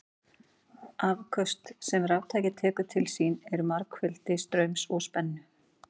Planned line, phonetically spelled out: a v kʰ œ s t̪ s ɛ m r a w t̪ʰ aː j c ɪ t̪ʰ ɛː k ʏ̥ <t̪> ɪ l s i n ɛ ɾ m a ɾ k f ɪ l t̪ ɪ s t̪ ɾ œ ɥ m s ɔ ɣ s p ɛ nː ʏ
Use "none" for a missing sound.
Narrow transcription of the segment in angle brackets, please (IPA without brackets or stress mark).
t̪ʰ